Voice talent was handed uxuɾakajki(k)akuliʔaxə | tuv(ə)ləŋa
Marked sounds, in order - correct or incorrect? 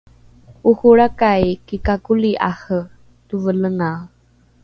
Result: correct, correct

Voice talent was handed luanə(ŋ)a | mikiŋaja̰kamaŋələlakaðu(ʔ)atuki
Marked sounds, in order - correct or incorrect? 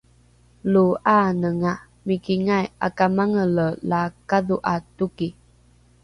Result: correct, correct

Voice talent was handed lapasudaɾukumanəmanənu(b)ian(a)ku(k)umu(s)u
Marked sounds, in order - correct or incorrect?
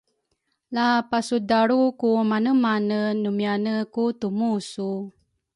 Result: incorrect: m, incorrect: ə, incorrect: t, correct

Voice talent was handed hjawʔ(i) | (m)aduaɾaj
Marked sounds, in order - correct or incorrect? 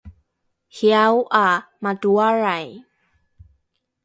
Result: incorrect: a, correct

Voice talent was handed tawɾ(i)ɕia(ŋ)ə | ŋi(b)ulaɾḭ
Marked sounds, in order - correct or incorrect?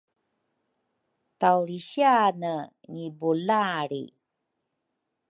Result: correct, incorrect: n, correct

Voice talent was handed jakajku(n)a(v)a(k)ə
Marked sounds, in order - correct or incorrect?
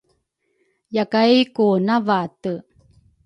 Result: correct, correct, incorrect: t

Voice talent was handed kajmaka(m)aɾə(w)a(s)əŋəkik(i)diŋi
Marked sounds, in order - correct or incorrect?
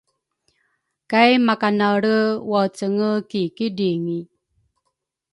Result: incorrect: n, correct, incorrect: t͡s, correct

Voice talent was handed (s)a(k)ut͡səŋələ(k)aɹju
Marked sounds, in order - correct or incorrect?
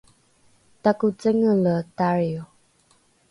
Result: incorrect: t, correct, incorrect: t

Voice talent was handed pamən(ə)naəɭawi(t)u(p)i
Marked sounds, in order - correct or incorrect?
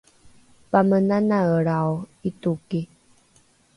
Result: incorrect: a, correct, incorrect: k

